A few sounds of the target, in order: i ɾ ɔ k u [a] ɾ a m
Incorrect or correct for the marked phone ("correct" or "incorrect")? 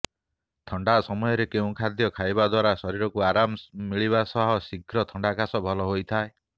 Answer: correct